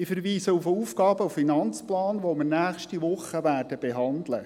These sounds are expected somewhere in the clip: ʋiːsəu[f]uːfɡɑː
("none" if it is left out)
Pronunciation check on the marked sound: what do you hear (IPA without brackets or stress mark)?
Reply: f